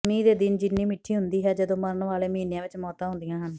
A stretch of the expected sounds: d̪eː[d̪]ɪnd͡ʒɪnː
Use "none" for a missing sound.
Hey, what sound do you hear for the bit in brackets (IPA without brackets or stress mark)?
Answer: d̪